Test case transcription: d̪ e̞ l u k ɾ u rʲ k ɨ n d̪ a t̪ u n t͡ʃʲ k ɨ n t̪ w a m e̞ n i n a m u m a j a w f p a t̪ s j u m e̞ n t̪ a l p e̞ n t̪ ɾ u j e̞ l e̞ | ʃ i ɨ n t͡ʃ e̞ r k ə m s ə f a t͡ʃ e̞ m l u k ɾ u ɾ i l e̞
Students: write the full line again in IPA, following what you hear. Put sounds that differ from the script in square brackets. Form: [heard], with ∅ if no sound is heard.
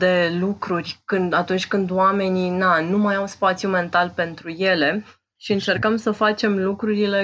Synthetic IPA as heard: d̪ e̞ l u k ɾ u rʲ k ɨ n d̪ a t̪ u n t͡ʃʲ k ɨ n [d̪] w a m e̞ n i n a [n] u m a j a w [s] p a t̪ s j u m e̞ n t̪ a l p e̞ n t̪ ɾ u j e̞ l e̞ | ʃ i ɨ n t͡ʃ e̞ r k ə m s ə f a t͡ʃ e̞ m l u k ɾ u ɾ i l e̞